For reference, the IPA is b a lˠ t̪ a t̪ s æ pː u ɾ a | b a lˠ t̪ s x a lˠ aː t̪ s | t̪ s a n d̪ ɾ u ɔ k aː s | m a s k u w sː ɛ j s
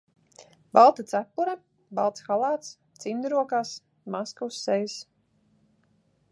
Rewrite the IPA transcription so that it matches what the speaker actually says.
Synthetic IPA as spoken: b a lˠ t̪ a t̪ s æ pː u ɾ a | b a lˠ t̪ s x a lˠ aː t̪ s | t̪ s i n d̪ ɾ u ɔ k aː s | m a s k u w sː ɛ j s